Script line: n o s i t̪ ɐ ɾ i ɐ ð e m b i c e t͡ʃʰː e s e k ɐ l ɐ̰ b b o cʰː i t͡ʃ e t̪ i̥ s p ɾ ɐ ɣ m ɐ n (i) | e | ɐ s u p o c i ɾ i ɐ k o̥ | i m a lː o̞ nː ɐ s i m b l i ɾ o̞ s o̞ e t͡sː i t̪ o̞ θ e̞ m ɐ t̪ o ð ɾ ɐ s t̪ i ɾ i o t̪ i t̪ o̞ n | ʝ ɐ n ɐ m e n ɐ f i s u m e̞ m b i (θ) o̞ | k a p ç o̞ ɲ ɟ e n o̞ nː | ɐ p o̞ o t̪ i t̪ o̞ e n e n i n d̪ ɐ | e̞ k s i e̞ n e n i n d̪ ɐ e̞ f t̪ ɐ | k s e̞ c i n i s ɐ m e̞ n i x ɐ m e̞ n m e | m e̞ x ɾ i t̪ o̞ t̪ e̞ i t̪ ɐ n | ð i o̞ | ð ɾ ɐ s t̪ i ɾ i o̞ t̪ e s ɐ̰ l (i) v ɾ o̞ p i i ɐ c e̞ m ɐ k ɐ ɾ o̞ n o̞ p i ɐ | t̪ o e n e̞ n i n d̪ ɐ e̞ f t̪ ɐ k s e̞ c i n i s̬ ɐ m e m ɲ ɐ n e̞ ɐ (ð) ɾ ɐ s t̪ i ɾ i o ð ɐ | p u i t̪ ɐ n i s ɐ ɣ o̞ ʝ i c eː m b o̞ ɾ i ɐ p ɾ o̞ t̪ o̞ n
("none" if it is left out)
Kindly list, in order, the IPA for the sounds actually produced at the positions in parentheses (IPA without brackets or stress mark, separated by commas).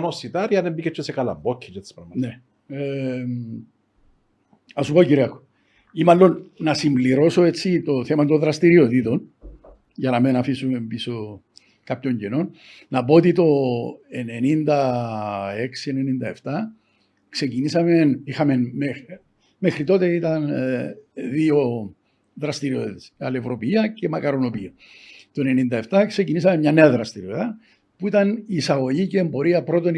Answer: e, s, e, ð